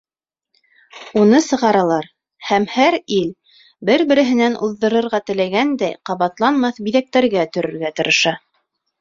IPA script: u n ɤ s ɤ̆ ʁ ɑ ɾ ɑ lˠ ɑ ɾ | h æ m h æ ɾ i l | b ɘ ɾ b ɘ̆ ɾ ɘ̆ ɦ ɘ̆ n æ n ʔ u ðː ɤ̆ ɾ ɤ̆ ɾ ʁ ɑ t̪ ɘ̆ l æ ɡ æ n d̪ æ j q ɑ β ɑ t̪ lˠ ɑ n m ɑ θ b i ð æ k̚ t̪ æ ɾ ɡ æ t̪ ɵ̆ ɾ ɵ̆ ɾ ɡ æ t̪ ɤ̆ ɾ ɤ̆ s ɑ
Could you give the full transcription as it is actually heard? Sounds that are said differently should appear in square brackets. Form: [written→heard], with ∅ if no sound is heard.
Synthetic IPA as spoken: u n ɤ s ɤ̆ ʁ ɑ ɾ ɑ lˠ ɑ ɾ | h æ m h æ ɾ i l | b ɘ ɾ b ɘ̆ ɾ ɘ̆ ɦ ɘ̆ n æ n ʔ u ðː ɤ̆ ɾ ɤ̆ ɾ ʁ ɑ t̪ ɘ̆ l æ ɡ æ n d̪ æ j q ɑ β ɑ t̪ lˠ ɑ n m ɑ θ b i ð æ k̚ t̪ æ ɾ ɡ æ t̪ ɵ̆ ɾ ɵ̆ ɾ ɡ æ t̪ ɤ̆ ɾ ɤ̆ [s→ʃ] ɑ